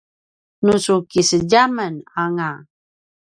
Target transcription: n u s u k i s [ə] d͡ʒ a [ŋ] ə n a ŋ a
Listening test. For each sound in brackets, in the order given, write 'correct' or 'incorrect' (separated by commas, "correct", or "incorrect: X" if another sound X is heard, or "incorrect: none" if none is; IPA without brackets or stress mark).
correct, incorrect: m